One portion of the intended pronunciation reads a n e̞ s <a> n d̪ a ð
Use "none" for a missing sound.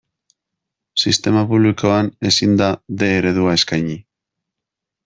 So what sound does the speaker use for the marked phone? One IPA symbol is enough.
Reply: i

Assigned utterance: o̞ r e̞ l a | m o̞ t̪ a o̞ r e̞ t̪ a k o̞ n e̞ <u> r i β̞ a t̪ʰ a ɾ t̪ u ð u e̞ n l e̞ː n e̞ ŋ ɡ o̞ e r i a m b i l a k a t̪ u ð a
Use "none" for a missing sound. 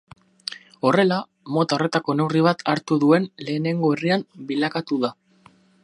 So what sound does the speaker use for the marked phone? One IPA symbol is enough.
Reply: w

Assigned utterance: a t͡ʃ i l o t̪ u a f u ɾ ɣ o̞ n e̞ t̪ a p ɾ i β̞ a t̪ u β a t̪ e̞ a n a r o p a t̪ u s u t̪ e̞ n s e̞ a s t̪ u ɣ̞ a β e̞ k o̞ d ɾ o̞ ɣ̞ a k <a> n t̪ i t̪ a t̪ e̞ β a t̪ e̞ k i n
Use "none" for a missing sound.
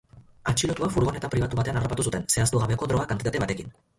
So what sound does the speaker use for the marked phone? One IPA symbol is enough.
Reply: a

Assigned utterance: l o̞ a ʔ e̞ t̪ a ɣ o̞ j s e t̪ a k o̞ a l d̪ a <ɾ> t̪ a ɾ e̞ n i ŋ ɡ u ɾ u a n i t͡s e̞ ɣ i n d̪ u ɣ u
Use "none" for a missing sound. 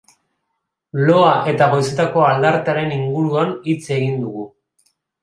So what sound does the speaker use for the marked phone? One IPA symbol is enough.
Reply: ɾ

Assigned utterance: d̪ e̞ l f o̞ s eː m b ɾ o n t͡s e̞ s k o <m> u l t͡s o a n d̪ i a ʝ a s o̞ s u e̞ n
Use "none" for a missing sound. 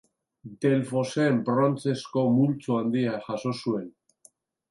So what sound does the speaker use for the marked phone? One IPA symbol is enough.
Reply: m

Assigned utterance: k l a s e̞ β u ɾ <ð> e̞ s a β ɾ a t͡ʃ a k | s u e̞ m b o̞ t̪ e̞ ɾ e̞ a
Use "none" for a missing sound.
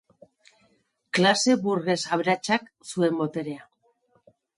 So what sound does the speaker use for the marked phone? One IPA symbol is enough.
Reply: ɣ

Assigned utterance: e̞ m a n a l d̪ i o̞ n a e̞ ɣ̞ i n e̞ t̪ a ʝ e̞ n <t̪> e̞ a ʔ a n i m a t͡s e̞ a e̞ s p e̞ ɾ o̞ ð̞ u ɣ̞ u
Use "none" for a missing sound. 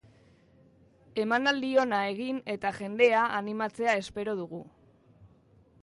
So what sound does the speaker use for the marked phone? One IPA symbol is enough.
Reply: d̪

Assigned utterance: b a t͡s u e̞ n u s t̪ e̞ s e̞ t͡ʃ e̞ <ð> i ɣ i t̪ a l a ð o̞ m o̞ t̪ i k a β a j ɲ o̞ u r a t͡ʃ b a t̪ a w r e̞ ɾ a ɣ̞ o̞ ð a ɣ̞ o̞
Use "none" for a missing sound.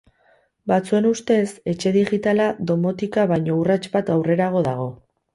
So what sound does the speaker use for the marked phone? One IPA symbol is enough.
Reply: ð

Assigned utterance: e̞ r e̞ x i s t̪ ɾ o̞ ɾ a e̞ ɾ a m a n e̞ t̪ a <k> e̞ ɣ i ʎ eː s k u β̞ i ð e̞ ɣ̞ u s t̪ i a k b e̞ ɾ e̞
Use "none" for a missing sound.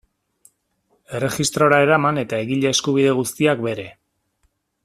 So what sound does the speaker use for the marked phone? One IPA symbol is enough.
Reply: none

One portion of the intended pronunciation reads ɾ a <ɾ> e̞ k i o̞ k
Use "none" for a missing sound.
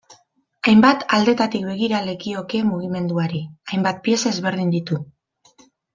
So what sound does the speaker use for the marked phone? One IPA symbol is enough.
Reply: l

